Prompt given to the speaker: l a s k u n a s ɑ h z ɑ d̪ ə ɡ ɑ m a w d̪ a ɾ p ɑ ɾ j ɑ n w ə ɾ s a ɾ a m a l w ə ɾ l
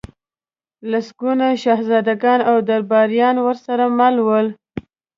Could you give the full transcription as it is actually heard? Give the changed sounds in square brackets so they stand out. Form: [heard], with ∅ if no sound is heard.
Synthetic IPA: l a s [ɡ] u n a [ʃ] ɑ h z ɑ d̪ [a] ɡ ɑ [n] a w d̪ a ɾ [b] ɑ ɾ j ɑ n w ə ɾ s a ɾ a m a l w ə [∅] l